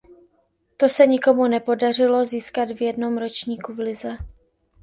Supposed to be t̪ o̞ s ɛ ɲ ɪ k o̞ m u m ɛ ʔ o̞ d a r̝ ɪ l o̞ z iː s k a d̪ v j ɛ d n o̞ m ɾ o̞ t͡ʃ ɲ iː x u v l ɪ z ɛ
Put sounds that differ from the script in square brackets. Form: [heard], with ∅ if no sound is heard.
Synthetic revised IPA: t̪ o̞ s ɛ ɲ ɪ k o̞ m u [n] ɛ [p] o̞ d a r̝ ɪ l o̞ z iː s k a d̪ v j ɛ d n o̞ m ɾ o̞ t͡ʃ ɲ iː [k] u v l ɪ z ɛ